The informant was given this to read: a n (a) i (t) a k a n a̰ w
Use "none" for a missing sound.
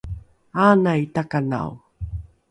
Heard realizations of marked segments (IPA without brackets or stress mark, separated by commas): a, t